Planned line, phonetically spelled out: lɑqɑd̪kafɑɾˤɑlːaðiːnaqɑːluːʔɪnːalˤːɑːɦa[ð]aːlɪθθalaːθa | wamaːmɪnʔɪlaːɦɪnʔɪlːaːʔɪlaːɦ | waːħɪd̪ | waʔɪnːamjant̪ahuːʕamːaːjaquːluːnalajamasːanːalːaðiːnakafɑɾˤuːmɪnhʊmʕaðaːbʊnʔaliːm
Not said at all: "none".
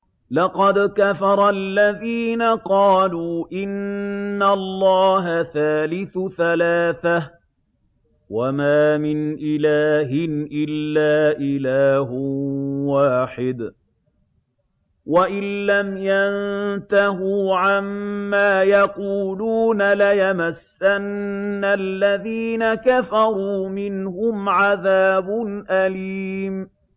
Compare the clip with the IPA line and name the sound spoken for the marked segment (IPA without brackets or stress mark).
θ